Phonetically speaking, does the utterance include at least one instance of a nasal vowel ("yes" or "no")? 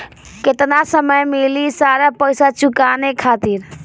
no